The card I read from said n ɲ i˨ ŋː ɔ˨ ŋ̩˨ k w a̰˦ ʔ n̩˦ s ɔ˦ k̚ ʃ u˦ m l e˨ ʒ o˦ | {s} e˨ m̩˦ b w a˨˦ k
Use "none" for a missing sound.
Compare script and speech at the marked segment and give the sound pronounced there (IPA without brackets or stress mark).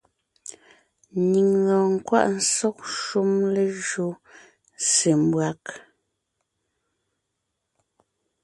s